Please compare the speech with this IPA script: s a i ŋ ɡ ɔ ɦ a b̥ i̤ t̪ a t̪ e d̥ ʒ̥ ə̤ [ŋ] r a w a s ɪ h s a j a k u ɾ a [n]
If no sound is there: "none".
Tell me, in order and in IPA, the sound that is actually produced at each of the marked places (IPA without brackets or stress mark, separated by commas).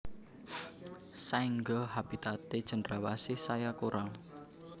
n, ŋ